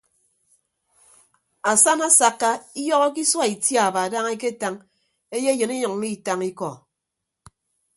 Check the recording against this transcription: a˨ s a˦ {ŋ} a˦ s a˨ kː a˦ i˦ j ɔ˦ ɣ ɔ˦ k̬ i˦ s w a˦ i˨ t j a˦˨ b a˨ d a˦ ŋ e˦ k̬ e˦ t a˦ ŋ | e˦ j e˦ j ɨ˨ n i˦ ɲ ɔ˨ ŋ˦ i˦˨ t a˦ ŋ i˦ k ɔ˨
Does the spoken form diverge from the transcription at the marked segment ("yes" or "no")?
yes